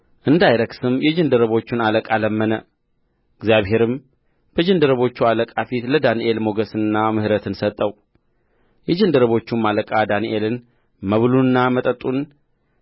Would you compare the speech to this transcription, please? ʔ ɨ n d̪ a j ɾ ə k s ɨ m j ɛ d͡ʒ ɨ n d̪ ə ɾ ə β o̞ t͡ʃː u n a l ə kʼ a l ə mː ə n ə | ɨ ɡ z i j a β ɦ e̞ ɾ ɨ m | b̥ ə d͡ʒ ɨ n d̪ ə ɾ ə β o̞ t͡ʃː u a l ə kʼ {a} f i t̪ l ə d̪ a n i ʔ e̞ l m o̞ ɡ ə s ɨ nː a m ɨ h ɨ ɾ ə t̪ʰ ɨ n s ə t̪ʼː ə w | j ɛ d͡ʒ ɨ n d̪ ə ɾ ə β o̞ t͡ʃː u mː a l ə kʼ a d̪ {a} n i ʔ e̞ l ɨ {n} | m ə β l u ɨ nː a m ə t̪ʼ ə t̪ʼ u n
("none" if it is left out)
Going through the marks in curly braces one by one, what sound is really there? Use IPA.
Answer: a, a, n

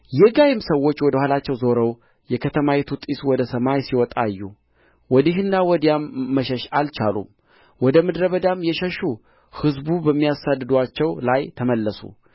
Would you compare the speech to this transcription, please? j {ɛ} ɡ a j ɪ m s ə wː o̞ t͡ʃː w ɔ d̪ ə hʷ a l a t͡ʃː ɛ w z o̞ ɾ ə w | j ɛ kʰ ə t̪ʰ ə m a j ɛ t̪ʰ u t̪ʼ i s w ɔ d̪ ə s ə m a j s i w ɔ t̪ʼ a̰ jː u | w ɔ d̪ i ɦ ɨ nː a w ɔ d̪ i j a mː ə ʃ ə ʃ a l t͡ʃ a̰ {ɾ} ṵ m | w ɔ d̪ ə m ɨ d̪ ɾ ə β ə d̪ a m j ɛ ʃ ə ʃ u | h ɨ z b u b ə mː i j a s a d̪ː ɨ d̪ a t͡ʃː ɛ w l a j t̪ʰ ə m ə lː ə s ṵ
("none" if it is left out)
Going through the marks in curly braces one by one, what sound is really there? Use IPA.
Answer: ɛ, l

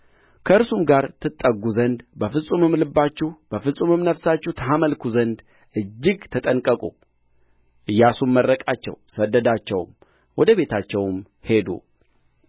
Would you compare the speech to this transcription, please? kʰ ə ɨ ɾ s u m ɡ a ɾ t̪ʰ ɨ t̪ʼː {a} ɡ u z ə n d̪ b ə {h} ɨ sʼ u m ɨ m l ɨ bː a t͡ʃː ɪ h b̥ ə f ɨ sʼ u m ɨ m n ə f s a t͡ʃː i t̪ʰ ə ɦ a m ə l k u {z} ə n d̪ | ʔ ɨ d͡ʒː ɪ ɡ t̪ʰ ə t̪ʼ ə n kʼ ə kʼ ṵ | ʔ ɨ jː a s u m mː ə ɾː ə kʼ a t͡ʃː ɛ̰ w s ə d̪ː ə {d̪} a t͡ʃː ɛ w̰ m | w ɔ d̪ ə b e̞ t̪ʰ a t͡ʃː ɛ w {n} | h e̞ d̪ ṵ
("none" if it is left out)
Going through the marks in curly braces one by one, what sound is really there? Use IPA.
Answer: ə, f, z, d̪, m

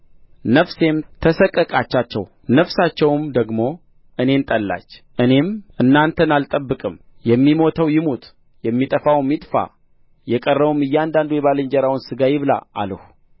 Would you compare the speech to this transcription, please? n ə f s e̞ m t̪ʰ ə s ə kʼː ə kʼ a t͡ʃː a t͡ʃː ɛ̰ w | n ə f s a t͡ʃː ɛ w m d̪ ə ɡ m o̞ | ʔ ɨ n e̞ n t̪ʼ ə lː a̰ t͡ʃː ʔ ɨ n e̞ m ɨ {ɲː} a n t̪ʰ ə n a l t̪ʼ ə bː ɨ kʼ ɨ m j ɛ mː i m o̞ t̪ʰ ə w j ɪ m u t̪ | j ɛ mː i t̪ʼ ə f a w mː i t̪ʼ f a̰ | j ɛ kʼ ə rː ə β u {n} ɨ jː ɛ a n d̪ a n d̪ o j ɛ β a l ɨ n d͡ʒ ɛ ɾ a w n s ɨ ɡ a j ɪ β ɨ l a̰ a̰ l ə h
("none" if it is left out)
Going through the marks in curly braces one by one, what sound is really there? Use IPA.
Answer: nː, m

